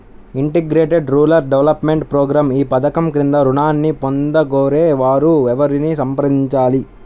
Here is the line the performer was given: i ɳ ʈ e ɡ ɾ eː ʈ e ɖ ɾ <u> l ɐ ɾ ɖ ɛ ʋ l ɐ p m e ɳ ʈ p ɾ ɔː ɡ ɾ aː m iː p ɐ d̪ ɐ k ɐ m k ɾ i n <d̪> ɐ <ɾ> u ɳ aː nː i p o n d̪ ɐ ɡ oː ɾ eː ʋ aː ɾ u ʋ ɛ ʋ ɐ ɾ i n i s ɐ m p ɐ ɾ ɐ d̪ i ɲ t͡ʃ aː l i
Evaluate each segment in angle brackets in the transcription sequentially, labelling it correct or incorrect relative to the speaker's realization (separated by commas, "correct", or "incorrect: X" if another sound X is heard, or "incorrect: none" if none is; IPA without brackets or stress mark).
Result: incorrect: uː, correct, correct